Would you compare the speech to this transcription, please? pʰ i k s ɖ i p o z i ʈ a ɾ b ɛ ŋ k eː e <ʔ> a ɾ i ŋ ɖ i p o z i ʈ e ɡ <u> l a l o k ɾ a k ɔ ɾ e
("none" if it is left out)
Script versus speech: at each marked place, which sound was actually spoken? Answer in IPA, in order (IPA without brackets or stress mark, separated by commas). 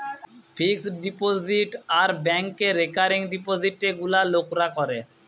k, u